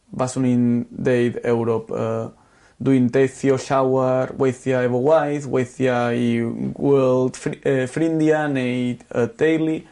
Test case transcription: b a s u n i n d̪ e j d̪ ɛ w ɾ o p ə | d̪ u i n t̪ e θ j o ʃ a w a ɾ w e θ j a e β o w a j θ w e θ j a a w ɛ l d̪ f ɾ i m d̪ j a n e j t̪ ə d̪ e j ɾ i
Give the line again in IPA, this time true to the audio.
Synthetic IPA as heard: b a s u n i n d̪ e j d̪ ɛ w ɾ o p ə | d̪ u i n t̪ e θ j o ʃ a w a ɾ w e θ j a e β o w a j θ w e θ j a i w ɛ l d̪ f ɾ i n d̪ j a n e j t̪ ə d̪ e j l i